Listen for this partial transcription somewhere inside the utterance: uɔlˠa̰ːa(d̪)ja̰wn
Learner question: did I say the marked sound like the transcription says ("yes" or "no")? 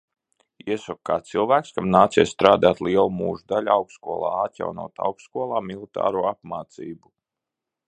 no